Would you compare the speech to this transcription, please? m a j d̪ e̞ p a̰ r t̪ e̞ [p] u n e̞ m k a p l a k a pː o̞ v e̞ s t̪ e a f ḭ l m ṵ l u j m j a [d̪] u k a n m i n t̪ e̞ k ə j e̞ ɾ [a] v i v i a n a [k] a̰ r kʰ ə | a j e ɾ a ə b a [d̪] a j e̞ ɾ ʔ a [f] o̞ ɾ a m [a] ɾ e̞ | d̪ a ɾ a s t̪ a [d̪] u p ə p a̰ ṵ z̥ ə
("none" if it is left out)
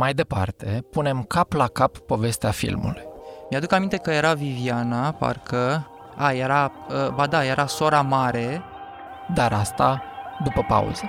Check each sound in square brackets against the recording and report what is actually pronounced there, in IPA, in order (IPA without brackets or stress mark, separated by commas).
p, d̪, a, p, d̪, s, a, d̪